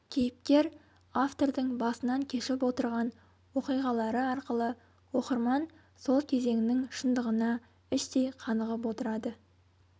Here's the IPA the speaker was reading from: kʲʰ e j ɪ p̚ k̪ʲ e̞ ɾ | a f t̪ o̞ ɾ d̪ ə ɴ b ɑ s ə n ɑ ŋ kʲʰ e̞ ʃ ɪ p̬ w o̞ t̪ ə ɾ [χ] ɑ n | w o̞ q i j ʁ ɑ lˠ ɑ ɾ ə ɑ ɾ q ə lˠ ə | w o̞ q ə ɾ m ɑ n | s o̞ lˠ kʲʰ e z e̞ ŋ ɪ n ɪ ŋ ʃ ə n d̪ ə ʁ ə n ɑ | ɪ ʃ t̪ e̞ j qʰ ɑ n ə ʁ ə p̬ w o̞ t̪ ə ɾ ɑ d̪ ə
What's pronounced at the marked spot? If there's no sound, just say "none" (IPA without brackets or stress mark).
ʁ